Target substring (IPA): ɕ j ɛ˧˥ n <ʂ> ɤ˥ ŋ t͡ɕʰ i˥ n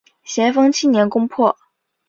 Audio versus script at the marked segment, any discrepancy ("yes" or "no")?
yes